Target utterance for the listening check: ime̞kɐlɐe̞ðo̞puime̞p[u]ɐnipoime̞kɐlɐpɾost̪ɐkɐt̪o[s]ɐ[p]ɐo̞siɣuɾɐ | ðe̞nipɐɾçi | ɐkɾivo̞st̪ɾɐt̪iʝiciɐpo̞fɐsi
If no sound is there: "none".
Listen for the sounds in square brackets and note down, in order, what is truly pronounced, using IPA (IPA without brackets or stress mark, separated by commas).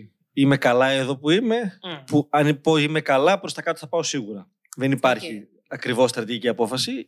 u, θ, p